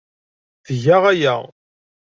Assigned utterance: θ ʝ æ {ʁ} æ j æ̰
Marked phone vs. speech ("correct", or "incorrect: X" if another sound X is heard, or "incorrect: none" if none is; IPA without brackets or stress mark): correct